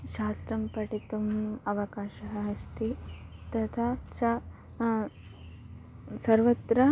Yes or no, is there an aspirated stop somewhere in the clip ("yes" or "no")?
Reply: yes